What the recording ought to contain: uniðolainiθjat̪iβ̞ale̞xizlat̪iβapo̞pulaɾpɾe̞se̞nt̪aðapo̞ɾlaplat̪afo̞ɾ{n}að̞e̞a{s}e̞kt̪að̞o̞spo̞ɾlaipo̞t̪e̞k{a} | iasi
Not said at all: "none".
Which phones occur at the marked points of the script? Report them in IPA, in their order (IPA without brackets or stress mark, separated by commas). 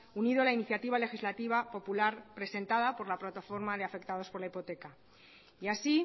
m, f, a